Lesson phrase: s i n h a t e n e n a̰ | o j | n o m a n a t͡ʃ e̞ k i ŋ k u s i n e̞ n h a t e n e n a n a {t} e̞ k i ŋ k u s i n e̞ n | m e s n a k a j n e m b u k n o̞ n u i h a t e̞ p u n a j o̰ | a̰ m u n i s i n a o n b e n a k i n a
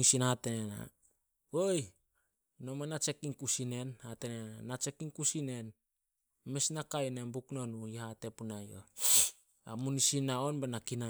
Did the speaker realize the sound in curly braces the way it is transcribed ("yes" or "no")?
no